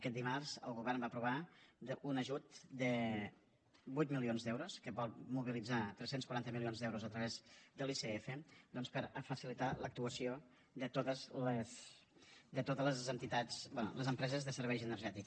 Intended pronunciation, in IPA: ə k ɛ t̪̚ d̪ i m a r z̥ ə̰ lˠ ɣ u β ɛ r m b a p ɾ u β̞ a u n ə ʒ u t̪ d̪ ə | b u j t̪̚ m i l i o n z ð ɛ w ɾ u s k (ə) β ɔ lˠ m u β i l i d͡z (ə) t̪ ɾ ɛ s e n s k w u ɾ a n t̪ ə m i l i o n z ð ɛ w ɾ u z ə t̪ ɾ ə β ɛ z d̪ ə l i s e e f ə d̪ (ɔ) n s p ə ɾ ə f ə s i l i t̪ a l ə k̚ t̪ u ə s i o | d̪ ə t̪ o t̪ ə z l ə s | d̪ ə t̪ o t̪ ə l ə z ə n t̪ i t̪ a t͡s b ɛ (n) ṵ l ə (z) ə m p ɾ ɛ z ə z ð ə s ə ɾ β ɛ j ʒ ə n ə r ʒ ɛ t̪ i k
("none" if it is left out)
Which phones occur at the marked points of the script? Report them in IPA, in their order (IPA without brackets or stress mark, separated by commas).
ə, a, ɔ, n, z